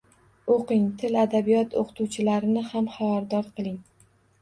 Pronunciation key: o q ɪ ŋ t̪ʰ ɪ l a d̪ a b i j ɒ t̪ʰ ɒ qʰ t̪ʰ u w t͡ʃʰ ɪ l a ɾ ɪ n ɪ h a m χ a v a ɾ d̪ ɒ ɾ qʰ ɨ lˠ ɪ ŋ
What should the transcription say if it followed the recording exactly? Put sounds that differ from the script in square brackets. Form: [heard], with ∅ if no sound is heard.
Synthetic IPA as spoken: o q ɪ ŋ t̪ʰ ɪ l a d̪ a b i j ɒ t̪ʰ [o] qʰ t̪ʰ u w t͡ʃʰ ɪ l a ɾ ɪ n ɪ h a m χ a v a ɾ d̪ ɒ ɾ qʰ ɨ lˠ ɪ ŋ